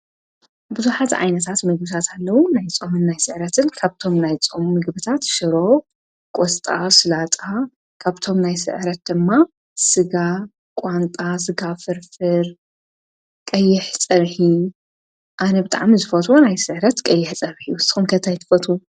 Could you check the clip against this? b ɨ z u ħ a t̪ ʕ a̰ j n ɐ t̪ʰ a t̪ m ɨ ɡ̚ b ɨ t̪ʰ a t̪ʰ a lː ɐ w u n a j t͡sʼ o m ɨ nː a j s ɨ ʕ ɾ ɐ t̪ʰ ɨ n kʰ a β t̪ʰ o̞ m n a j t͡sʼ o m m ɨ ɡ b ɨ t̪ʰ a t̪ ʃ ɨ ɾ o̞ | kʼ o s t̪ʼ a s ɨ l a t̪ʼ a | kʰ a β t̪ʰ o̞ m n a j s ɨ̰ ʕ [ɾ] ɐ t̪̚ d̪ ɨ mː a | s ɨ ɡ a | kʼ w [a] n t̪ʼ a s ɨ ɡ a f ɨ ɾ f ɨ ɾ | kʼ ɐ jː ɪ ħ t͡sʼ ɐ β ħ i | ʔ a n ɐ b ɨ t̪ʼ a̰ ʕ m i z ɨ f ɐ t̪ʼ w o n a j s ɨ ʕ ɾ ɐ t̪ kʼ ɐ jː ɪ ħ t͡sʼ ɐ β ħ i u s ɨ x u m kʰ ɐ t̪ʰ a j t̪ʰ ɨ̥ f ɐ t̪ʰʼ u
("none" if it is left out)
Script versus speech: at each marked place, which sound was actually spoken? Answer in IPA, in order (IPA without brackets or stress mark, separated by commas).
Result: ɾ, a